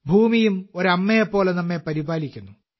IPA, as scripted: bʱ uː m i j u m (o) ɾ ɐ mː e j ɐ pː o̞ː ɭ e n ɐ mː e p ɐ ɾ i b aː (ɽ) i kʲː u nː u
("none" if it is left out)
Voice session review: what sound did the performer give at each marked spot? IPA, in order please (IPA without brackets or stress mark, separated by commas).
o, l